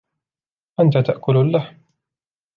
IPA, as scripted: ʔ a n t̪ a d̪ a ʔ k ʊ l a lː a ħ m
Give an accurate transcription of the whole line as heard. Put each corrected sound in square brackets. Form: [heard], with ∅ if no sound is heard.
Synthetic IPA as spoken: ʔ a n t̪ a [t̪] a ʔ k ʊ l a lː a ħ m